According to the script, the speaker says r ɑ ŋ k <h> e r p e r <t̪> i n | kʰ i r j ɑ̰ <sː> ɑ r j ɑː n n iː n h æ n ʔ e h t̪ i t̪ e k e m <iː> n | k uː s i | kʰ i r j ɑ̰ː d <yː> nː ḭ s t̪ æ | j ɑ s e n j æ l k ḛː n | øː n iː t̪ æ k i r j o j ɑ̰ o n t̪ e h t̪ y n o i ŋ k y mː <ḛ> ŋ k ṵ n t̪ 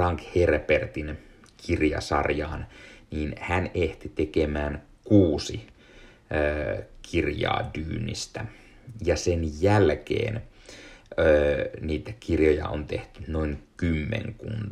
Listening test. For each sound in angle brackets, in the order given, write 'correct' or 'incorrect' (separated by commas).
correct, correct, incorrect, incorrect, correct, correct